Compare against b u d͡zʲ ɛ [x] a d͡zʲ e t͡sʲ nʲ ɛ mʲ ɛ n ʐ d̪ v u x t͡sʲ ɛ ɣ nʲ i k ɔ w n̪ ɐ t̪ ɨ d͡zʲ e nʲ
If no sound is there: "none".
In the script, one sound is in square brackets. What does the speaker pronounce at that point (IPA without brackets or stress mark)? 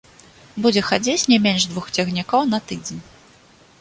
x